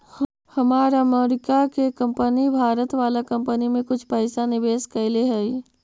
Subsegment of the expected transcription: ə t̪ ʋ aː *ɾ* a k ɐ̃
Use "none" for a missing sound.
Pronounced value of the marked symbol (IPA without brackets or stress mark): l